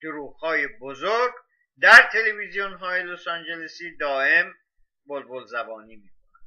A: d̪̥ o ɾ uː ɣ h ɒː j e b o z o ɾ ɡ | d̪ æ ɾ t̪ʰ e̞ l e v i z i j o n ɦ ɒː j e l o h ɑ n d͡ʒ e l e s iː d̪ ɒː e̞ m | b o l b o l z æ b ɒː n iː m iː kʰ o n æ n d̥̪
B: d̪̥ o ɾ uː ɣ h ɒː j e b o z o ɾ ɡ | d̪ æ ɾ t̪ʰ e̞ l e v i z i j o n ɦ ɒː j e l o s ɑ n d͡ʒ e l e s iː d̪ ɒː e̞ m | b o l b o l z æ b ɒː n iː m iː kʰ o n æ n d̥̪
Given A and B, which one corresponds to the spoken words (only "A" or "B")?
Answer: B